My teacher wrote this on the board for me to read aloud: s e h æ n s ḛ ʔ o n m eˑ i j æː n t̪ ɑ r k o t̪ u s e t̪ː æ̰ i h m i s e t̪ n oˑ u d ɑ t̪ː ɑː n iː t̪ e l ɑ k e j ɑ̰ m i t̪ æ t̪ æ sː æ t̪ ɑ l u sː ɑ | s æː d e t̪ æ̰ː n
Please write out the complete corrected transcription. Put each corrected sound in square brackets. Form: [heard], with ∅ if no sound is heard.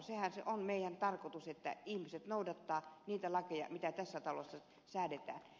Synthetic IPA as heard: s e h æ n s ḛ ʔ o n m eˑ i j [æ] n t̪ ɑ r k o t̪ u s e t̪ː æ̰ i h m i s e t̪ n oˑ u d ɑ t̪ː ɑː n iː t̪ [æ] l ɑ k e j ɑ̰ m i t̪ æ t̪ æ sː æ t̪ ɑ l [o] sː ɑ | s æː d e t̪ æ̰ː n